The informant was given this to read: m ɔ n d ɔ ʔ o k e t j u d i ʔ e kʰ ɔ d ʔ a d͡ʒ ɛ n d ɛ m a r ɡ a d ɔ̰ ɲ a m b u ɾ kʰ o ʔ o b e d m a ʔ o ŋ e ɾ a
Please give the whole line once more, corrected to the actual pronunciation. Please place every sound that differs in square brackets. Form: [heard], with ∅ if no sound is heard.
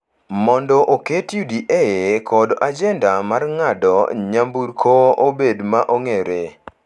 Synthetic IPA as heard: m ɔ n d ɔ ʔ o k e t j u d i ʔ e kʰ ɔ d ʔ a d͡ʒ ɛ n d [a] m a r [ŋ] a d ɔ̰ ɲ a m b u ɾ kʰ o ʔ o b e d m a ʔ o ŋ e ɾ [e]